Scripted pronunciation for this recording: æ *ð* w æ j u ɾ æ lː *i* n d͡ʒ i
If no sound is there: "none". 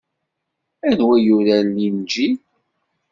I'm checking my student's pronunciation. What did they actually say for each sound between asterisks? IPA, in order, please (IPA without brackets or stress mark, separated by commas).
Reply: ð, i